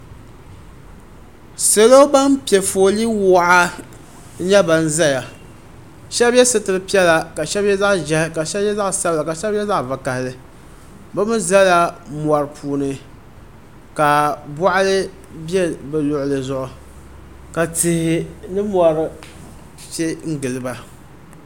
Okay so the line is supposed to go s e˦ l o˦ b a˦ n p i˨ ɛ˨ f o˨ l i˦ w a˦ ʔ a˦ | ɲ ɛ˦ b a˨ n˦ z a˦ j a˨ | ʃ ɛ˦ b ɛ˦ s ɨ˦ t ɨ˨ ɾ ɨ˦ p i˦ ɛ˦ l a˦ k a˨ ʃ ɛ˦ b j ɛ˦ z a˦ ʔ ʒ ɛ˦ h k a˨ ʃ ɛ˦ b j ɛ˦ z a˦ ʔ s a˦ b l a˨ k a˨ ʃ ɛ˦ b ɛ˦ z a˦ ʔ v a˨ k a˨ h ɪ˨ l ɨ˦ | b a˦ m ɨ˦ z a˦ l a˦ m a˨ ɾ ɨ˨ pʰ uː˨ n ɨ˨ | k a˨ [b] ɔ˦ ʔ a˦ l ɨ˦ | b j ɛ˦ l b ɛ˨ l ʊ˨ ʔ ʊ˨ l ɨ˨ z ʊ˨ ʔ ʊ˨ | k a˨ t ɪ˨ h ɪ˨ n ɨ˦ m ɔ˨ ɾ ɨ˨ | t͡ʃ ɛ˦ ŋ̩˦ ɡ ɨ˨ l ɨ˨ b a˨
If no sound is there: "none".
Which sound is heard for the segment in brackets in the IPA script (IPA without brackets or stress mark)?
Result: b